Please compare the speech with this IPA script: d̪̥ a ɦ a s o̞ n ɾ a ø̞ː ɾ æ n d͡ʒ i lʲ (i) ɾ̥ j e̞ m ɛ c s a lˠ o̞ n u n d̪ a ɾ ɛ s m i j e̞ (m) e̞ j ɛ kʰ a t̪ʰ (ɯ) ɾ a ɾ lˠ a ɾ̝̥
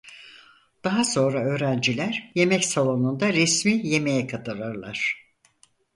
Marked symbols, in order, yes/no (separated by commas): no, yes, yes